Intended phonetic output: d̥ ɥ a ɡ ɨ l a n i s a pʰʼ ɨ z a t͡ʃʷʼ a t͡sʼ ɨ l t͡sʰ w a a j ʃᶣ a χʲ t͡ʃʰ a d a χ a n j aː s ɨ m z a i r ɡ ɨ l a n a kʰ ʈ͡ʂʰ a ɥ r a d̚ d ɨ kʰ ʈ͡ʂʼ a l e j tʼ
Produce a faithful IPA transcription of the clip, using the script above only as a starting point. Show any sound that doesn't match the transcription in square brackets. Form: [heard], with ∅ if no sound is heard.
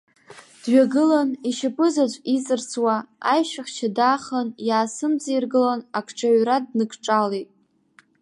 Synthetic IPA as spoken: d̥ ɥ a ɡ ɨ l a n i [ʃ] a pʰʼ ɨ z a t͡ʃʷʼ [i] t͡sʼ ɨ [r] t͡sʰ w a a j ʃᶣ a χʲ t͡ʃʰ a d a χ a n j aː s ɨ m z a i r ɡ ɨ l a n a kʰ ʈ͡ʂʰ a ɥ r a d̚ [n] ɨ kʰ ʈ͡ʂʼ a l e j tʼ